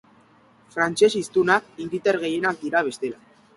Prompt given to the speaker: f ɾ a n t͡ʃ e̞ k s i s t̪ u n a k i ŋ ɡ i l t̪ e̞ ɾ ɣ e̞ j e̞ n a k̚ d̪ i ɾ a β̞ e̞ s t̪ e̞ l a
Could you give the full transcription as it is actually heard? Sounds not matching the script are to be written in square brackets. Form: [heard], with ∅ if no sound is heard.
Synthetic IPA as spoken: f ɾ a n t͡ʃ e̞ [∅] s i s t̪ u n a k i ŋ ɡ i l t̪ e̞ ɾ ɣ e̞ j e̞ n a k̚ d̪ i ɾ a β̞ e̞ s t̪ e̞ l a